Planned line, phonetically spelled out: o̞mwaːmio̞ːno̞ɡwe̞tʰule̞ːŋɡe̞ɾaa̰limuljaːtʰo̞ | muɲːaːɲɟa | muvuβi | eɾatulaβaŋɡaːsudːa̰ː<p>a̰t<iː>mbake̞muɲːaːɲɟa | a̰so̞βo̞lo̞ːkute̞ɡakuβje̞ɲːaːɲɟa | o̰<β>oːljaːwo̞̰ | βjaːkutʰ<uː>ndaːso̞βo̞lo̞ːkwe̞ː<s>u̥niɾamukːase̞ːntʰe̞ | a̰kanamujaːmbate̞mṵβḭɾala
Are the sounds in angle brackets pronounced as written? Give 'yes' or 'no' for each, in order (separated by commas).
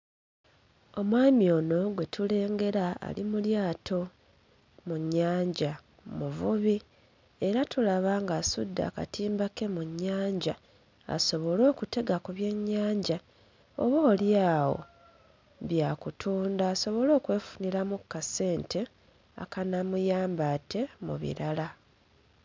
no, yes, yes, yes, no